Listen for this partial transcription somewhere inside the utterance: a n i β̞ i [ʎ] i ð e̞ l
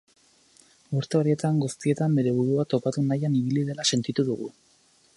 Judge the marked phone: incorrect: l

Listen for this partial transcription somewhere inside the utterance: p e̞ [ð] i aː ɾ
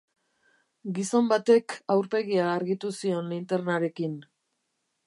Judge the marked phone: incorrect: ɣ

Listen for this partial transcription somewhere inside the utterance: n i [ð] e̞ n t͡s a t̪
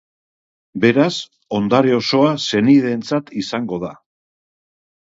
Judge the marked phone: correct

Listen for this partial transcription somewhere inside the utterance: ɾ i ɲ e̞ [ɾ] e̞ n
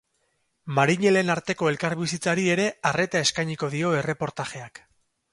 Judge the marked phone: incorrect: l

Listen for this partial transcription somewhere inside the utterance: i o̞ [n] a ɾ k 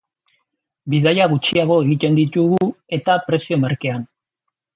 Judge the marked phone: incorrect: m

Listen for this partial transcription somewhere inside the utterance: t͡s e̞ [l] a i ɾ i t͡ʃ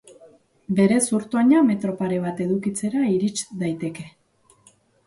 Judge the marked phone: incorrect: ɾ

